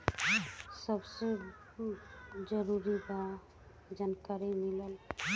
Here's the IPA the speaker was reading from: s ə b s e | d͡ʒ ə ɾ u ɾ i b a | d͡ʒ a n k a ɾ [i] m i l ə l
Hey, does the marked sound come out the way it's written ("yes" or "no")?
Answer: yes